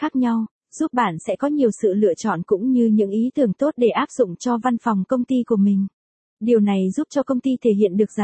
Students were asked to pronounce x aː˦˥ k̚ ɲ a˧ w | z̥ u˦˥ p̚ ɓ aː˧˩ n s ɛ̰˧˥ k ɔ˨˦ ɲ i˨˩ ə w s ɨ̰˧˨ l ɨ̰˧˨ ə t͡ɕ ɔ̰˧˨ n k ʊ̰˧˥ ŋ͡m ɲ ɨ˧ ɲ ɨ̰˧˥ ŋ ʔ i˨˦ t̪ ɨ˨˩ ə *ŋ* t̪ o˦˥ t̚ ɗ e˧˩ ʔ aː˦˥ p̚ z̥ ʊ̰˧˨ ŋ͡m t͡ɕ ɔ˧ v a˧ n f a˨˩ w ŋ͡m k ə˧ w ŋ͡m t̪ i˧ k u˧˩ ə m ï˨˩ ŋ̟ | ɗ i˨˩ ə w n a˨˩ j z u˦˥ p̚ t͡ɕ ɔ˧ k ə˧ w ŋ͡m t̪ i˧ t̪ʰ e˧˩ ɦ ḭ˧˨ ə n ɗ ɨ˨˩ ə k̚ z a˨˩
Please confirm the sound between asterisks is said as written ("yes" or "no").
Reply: yes